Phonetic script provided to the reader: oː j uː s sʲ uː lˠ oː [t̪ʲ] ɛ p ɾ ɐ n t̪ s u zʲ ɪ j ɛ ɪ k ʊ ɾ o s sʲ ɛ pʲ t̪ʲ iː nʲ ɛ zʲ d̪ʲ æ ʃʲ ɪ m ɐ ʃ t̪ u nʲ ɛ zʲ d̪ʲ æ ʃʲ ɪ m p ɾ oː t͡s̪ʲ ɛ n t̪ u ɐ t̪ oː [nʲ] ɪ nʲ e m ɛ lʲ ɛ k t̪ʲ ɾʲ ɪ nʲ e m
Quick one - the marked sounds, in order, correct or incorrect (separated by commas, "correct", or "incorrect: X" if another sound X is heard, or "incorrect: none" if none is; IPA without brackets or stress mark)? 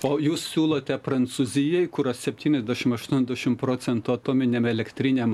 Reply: correct, incorrect: mʲ